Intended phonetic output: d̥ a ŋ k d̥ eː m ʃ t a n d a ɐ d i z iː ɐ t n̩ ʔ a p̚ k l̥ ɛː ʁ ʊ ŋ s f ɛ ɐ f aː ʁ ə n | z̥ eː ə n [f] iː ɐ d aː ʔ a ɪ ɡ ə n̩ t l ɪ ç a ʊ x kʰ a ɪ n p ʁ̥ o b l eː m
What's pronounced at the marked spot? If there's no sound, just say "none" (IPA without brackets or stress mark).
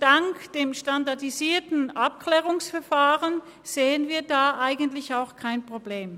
v